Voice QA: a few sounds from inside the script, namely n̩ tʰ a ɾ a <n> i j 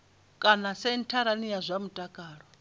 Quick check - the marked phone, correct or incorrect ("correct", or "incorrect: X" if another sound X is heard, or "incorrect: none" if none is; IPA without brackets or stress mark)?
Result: correct